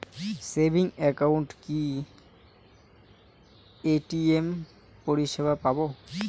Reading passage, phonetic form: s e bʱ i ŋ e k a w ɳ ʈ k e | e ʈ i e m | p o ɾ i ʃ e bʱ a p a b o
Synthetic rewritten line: s e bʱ i ŋ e k a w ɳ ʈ k i | e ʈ i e m | p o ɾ i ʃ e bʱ a p a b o

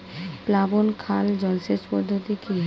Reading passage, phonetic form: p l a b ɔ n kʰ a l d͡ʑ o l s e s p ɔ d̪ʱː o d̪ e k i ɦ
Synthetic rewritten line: p l a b o n kʰ a l d͡ʑ ɔ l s e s p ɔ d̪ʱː o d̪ i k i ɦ

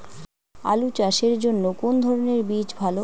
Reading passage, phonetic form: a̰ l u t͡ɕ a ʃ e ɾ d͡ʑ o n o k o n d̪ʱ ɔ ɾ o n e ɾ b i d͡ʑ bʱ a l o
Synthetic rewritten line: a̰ l u t͡ɕ a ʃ e ɾ d͡ʑ o nː o k o n d̪ʱ ɔ ɾ o n e ɾ b i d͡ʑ bʱ a l o

